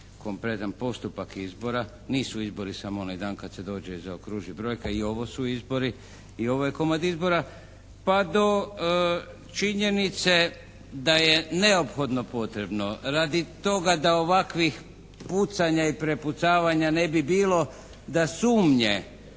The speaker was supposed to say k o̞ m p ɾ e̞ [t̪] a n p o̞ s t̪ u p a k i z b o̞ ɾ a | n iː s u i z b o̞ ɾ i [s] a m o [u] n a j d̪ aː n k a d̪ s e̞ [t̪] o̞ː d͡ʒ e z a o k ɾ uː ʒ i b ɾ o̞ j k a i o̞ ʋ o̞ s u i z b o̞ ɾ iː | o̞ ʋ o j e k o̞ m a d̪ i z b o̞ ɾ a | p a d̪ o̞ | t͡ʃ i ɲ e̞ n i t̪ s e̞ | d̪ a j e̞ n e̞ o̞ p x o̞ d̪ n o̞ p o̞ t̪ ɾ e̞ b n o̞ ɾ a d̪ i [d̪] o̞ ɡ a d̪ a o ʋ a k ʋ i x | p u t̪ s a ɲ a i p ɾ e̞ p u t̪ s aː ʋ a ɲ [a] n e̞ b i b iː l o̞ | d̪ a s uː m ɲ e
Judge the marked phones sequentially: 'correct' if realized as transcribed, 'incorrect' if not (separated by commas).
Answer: correct, correct, incorrect, incorrect, incorrect, correct